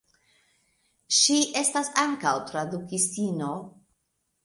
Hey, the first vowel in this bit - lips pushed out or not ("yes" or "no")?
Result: no